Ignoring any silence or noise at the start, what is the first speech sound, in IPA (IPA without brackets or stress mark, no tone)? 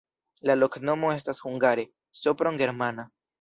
l